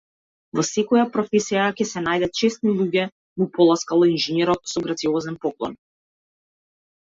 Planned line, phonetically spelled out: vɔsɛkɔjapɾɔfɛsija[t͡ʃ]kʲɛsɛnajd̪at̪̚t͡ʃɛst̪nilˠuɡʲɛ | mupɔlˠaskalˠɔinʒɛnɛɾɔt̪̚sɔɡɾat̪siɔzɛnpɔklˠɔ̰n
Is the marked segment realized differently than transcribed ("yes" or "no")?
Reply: yes